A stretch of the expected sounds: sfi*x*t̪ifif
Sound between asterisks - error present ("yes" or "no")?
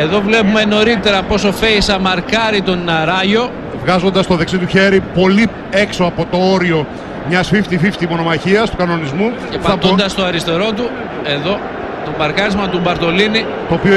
yes